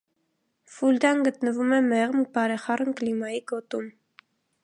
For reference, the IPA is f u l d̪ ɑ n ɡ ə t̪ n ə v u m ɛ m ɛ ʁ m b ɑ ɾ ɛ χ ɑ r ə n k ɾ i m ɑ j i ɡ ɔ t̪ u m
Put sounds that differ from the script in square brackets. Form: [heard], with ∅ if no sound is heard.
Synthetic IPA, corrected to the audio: f u l d̪ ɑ n ɡ ə t̪ n ə v u m ɛ m ɛ ʁ m b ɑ ɾ ɛ χ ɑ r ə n k [l] i m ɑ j i ɡ ɔ t̪ u m